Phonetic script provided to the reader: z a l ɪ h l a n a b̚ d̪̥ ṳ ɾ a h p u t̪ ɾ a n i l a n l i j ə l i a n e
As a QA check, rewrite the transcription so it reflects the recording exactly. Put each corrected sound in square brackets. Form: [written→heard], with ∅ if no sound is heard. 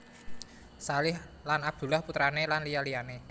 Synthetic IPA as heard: [z→s] a l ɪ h l a n a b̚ d̪̥ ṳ [ɾ→l] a h p u t̪ ɾ a n [i→e] l a n l i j [ə→a] l i a n e